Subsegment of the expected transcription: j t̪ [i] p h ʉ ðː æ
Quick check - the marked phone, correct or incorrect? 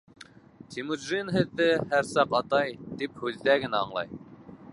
correct